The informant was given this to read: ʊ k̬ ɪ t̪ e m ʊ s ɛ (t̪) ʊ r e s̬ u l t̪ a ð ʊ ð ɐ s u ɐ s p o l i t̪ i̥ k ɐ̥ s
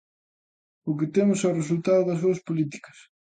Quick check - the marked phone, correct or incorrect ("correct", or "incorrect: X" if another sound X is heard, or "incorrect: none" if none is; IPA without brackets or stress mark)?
incorrect: none